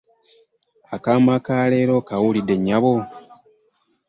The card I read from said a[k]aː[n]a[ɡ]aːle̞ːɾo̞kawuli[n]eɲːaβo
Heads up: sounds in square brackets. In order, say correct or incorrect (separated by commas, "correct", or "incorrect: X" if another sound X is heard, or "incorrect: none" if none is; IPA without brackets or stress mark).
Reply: correct, incorrect: m, incorrect: k, incorrect: d